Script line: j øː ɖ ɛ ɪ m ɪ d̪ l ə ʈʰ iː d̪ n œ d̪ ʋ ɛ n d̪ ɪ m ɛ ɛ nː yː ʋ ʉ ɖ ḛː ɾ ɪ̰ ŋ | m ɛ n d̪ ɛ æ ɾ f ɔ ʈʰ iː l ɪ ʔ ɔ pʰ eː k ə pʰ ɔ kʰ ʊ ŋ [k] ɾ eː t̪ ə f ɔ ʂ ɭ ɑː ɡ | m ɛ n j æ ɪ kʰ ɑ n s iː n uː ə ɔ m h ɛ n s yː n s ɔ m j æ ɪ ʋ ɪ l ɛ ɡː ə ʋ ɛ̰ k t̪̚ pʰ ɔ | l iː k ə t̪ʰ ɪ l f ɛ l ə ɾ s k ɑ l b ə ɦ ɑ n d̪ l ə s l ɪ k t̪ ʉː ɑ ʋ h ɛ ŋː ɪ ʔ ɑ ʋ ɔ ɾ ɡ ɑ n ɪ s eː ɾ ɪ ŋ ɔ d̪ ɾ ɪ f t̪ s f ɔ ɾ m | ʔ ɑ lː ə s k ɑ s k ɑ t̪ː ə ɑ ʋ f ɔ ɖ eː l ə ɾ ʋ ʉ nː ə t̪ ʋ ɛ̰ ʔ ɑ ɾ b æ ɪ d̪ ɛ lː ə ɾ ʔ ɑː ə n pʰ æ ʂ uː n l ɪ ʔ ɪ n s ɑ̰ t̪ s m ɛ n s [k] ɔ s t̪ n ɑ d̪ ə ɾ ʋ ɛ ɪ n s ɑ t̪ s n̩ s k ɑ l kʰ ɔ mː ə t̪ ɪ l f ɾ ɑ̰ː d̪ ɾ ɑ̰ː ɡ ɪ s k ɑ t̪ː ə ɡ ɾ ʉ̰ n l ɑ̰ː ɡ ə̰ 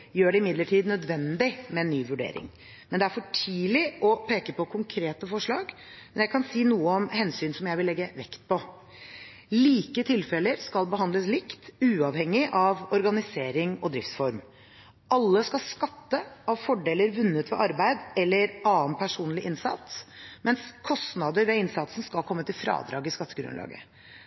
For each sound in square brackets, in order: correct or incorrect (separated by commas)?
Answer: incorrect, incorrect